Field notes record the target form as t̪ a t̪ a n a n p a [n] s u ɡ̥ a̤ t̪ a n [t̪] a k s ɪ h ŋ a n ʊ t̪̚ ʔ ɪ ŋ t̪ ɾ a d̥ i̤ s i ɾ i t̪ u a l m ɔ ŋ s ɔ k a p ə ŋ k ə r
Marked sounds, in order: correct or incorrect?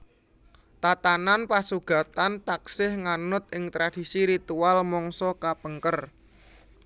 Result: incorrect, correct

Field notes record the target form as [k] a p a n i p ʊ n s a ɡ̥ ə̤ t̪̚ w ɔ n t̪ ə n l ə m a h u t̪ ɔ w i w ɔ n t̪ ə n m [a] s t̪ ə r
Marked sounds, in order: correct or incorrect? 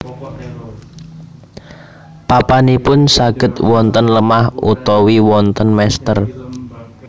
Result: incorrect, incorrect

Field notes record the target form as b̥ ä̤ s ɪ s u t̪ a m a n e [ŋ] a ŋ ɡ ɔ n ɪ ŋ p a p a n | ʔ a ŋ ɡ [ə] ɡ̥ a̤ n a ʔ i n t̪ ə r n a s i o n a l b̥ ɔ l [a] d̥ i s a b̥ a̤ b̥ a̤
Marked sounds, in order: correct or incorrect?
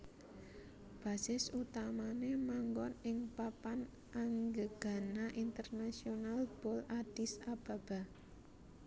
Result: incorrect, correct, correct

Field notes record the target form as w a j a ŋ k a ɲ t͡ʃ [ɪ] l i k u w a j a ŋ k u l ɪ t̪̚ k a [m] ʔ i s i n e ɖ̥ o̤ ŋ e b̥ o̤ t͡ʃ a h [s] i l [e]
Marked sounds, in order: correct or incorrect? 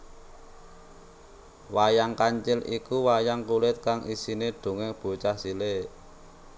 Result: correct, incorrect, correct, correct

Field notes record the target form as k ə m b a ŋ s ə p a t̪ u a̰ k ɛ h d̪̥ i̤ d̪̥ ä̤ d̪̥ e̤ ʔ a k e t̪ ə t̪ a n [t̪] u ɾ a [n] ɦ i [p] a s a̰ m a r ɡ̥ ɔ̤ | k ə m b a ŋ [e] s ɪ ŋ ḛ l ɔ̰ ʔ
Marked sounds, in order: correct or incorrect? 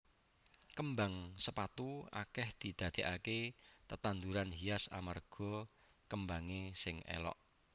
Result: incorrect, correct, incorrect, correct

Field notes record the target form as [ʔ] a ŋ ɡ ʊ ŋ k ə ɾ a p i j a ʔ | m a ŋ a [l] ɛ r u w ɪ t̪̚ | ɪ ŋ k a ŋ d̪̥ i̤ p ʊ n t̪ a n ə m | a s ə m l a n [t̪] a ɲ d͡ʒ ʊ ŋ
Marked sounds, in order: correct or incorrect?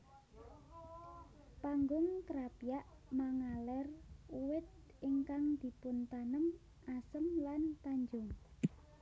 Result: incorrect, correct, correct

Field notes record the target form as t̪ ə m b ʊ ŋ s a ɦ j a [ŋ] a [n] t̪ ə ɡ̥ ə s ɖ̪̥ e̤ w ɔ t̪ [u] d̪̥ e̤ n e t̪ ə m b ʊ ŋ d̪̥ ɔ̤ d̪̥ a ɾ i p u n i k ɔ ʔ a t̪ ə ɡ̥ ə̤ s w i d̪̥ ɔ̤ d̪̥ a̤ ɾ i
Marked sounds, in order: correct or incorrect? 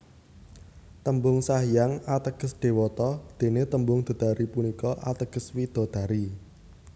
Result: correct, incorrect, incorrect

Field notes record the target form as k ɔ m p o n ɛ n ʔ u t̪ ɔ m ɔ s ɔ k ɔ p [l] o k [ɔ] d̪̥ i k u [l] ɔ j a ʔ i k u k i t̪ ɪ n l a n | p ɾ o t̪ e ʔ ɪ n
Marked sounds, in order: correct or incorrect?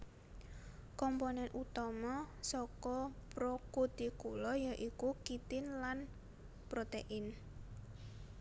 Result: incorrect, incorrect, correct

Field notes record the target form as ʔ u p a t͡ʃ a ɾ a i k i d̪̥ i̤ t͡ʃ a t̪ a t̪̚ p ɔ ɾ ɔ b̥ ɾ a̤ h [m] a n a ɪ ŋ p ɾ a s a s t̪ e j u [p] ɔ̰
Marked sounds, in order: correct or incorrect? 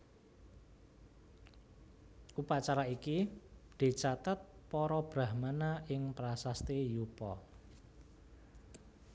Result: correct, correct

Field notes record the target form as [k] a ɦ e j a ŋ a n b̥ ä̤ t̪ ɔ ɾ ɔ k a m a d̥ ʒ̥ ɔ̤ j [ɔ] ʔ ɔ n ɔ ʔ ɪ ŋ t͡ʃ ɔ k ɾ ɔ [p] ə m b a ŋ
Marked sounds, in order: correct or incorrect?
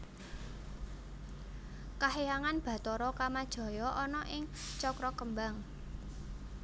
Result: correct, correct, incorrect

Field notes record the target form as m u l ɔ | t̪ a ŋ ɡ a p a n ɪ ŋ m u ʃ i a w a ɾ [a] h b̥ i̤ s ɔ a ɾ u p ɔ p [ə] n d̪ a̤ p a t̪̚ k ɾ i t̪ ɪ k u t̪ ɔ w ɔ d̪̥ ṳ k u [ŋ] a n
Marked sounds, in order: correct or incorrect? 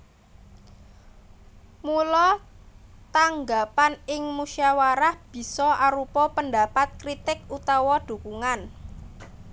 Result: correct, correct, correct

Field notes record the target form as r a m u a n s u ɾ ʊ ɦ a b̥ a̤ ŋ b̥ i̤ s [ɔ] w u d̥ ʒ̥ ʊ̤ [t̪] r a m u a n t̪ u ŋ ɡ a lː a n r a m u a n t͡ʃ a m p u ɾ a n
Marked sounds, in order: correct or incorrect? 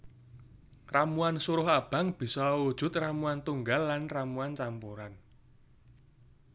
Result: correct, correct

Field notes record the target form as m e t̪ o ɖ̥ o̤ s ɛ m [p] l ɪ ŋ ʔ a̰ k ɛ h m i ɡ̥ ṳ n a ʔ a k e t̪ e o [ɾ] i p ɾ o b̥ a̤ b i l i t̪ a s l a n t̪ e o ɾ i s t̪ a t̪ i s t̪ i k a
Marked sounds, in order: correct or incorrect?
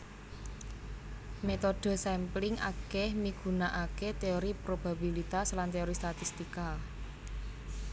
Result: correct, correct

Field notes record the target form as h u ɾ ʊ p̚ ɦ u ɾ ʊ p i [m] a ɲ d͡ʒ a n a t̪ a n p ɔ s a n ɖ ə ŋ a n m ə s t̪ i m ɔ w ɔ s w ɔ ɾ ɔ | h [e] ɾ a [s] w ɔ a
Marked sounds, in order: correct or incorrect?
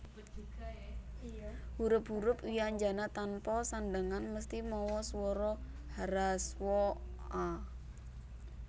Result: incorrect, incorrect, correct

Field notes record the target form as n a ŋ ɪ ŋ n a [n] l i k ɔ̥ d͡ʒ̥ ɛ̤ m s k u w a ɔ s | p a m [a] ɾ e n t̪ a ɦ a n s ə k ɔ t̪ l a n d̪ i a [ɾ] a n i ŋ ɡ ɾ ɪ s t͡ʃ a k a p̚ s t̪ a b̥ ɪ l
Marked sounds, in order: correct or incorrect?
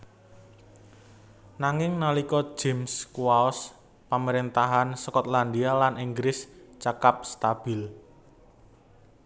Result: incorrect, incorrect, incorrect

